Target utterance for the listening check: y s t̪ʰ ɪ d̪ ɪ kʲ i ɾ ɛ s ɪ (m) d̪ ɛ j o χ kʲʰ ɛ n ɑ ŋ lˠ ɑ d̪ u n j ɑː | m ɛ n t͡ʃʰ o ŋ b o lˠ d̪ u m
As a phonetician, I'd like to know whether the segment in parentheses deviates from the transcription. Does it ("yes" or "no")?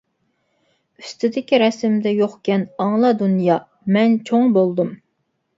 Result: no